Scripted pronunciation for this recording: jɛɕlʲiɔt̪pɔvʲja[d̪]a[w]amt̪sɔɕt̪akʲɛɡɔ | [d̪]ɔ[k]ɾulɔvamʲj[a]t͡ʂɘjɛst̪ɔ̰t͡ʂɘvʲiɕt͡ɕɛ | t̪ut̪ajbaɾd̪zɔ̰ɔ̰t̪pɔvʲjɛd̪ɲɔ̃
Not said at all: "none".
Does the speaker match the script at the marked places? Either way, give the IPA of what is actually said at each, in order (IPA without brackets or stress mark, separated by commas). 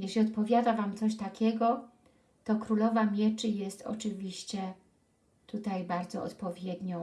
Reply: d̪, v, t̪, k, ɛ